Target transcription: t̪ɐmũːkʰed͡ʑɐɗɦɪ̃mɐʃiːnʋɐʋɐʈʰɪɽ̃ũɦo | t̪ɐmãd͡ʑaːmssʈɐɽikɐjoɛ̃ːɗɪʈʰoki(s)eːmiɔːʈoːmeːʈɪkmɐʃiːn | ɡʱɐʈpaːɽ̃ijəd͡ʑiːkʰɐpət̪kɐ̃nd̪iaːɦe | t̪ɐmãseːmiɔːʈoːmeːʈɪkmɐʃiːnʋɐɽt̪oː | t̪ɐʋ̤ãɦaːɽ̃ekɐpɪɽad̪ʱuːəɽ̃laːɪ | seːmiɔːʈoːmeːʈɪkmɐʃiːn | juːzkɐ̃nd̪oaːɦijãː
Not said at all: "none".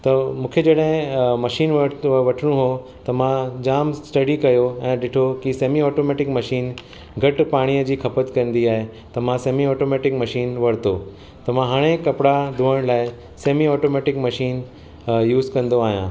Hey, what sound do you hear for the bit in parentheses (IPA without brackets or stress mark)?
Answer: s